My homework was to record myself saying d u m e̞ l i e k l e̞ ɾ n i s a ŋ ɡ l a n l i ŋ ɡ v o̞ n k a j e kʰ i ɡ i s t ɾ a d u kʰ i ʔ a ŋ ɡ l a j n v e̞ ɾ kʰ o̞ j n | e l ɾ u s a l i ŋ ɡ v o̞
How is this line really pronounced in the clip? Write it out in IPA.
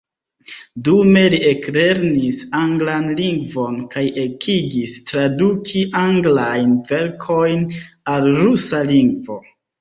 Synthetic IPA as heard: d u m e̞ l i e k l e̞ ɾ n i s a ŋ ɡ l a n l i ŋ ɡ v o̞ n k a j e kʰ i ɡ i s t ɾ a d u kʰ i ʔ a ŋ ɡ l a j n v e̞ ɾ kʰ o̞ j n | a l ɾ u s a l i ŋ ɡ v o̞